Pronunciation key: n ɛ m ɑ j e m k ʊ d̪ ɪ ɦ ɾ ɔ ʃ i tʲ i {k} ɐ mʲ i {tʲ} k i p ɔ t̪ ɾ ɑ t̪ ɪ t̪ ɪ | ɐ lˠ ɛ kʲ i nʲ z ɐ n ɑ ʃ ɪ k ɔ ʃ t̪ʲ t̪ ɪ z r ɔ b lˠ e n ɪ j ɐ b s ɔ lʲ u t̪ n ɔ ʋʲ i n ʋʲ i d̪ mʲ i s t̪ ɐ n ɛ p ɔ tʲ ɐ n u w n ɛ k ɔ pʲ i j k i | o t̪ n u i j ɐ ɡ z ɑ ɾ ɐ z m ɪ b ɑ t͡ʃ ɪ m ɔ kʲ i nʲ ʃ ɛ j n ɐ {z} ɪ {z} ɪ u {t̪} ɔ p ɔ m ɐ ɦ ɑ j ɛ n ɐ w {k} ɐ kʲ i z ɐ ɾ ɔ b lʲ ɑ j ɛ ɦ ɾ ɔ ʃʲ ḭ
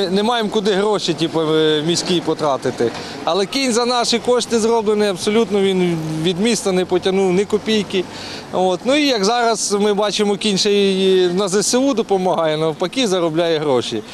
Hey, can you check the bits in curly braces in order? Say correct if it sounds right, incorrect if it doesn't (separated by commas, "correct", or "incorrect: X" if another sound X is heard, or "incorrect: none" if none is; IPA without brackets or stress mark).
incorrect: p, incorrect: sʲ, correct, incorrect: s, incorrect: d̪, incorrect: p